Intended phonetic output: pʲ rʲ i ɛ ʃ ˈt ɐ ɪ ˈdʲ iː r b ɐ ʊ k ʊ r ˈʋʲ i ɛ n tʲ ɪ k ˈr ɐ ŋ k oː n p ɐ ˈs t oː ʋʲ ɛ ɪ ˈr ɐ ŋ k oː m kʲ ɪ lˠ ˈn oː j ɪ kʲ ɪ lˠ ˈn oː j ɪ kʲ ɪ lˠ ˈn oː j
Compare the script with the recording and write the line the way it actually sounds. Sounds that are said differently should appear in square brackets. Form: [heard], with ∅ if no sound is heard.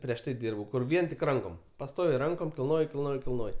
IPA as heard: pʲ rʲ i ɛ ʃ ˈt ɐ ɪ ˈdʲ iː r b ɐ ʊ k ʊ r ˈʋʲ i ɛ n tʲ ɪ k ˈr ɐ ŋ k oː [m] p ɐ ˈs t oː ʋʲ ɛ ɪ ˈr ɐ ŋ k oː m kʲ ɪ lˠ ˈn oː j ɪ kʲ ɪ lˠ ˈn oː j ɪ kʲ ɪ lˠ ˈn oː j